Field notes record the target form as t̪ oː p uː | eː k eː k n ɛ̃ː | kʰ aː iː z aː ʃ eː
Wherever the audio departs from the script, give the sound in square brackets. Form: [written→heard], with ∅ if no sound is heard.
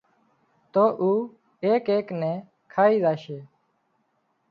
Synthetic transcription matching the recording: t̪ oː [p→ʔ] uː | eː k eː k n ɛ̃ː | kʰ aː iː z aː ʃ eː

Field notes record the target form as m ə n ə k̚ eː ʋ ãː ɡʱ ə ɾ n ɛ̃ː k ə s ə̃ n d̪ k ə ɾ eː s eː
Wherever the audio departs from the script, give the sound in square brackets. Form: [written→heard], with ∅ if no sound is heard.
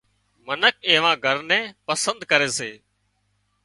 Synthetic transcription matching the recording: m ə n ə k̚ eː ʋ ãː ɡʱ ə ɾ n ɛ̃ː [k→p] ə s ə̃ n d̪ k ə ɾ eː s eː

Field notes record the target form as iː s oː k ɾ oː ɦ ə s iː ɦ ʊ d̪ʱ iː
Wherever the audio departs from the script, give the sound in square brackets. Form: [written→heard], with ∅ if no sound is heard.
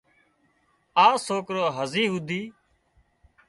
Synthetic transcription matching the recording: [iː→aː] s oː k ɾ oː ɦ ə [s→z] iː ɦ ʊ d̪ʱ iː

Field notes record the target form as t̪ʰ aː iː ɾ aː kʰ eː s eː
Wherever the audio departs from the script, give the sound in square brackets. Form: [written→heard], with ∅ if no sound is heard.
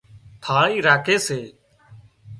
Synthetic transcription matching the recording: t̪ʰ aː iː ɾ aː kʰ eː s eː

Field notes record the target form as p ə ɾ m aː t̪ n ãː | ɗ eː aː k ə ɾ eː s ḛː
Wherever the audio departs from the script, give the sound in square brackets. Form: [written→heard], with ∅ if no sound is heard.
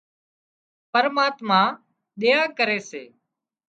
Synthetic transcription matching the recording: p ə ɾ m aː t̪ [n→m] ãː | ɗ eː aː k ə ɾ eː s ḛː

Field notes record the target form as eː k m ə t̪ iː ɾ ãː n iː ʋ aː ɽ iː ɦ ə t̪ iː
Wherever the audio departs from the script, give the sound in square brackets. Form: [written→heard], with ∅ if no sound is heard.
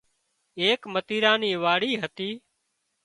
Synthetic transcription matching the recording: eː k m ə t̪ iː ɾ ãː n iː ʋ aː ɽ iː ɦ ə t̪ iː

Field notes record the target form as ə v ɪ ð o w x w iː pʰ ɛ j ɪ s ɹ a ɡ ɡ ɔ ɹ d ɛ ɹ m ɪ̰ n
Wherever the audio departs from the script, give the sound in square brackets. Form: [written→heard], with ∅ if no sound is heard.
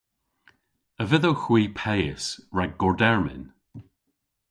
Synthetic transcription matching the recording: ə v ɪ ð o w x w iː pʰ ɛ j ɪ s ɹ a ɡ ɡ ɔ ɹ d ɛ ɹ m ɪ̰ n

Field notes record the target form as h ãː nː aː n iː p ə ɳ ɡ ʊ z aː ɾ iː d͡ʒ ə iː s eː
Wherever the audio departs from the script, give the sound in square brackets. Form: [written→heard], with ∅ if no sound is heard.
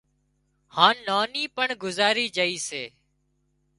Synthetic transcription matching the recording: h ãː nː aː n iː p ə ɳ ɡ ʊ z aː ɾ iː d͡ʒ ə iː s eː

